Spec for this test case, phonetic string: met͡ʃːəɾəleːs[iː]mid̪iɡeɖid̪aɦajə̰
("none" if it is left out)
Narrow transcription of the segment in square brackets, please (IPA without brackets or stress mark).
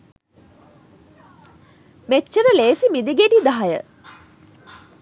i